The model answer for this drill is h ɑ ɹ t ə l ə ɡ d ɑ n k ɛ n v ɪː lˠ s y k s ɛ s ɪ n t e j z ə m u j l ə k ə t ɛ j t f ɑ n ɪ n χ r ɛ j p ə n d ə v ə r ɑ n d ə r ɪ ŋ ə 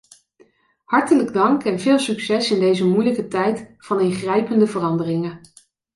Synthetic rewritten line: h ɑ ɹ t ə l ə ɡ d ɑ ŋ k ɛ n v ɪː lˠ s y k s ɛ s ɪ n d e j z ə m u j l ə k ə t ɛ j t f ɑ n ɪ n χ r ɛ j p ə n d ə v ə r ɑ n d ə r ɪ ŋ ə